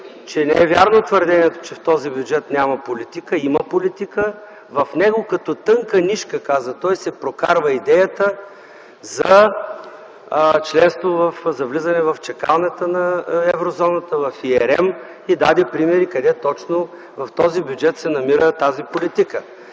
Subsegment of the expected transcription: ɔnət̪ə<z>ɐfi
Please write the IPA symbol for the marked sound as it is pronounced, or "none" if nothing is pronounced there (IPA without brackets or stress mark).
v